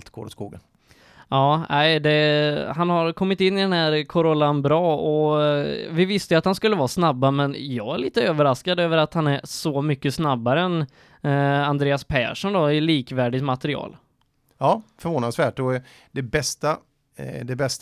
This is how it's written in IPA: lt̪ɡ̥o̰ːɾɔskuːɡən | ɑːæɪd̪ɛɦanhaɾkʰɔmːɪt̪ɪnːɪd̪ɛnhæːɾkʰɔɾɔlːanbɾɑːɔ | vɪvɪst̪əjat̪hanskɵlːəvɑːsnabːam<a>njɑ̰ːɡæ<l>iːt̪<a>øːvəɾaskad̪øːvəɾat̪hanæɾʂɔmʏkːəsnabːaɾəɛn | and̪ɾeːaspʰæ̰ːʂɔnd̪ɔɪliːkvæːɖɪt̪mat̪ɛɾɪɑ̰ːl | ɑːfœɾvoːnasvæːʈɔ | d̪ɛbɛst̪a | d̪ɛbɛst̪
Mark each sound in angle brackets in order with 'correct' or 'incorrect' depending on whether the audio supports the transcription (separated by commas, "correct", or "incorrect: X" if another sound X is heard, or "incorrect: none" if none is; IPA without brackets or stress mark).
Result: incorrect: ɛ, incorrect: ɭ, incorrect: ə